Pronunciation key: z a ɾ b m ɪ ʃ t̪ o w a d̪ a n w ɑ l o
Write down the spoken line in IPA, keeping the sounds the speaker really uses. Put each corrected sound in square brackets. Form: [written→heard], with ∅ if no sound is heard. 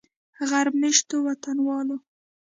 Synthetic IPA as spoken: [z→ɣ] a ɾ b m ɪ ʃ t̪ o w a [d̪→t̪] a n w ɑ l o

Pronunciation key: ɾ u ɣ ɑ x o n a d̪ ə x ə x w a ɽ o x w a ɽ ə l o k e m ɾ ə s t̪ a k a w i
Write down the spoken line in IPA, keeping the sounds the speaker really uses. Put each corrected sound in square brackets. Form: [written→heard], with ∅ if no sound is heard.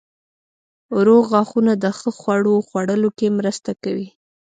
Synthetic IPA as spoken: ɾ [u→o] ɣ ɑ x [o→u] n a d̪ ə x ə x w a ɽ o x w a ɽ ə l o k e m ɾ ə s t̪ a k a w i

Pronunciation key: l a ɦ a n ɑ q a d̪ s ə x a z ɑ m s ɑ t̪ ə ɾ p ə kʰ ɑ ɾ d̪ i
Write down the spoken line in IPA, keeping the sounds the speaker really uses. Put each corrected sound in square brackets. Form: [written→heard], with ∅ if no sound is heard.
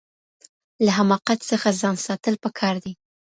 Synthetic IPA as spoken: l a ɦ a [n→m] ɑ q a [d̪→t̪] s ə x a z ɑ [m→n] s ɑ t̪ ə [ɾ→l] p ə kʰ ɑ ɾ d̪ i

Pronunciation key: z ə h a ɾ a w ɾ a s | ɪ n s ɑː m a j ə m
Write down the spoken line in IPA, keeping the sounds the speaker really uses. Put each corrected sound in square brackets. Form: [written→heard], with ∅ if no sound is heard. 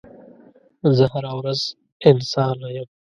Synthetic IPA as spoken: z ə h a ɾ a w ɾ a [s→z] | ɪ n s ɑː [m→n] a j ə m

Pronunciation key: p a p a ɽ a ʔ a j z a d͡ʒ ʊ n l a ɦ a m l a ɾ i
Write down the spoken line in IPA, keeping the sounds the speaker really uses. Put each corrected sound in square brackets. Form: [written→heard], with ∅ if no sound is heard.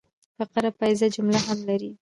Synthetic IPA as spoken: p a [p→q] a [ɽ→ɾ] a [ʔ→p] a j z a d͡ʒ ʊ [n→m] l a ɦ a m l a ɾ i

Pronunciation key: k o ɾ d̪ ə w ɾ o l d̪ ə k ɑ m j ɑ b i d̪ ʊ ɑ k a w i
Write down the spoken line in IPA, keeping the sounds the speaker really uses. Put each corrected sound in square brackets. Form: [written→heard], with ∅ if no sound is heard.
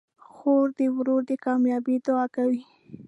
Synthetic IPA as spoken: [k→x] o ɾ d̪ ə w ɾ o [l→ɾ] d̪ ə k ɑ m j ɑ b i d̪ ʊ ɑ k a w i

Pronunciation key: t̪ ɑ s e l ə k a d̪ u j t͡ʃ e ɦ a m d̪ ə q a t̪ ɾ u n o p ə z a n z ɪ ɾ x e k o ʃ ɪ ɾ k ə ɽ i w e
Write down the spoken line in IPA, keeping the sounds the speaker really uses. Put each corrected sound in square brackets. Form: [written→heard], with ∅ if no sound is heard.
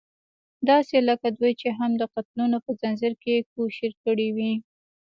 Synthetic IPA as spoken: [t̪→d̪] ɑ s e l ə k a d̪ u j t͡ʃ e ɦ a m d̪ ə q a t̪ [ɾ→l] u n o p ə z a n z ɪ ɾ [x→k] e k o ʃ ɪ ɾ k ə ɽ i w [e→i]

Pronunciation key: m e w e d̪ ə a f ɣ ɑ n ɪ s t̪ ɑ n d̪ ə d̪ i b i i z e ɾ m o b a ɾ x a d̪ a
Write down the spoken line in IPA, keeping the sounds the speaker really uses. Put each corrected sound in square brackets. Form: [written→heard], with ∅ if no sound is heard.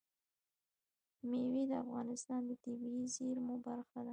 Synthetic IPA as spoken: m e w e d̪ ə a f ɣ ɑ n ɪ s t̪ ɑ n d̪ ə [d̪→t̪] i b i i z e ɾ m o b a ɾ x a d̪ a

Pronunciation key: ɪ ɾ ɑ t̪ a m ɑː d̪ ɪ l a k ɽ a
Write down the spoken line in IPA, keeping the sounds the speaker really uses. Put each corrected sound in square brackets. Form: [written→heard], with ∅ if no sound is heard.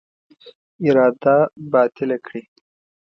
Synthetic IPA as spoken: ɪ ɾ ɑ [t̪→d̪] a [m→b] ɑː [d̪→t̪] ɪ l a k ɽ [a→i]

